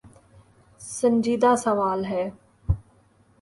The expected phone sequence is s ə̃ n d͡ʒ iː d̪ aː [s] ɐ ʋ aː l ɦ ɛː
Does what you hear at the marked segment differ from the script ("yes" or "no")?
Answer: no